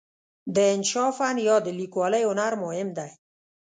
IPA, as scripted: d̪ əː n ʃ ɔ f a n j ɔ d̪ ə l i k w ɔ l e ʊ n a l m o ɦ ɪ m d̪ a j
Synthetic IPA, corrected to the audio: d̪ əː n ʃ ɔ f a n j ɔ d̪ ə l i k w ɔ l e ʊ n a ɾ m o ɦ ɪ m d̪ a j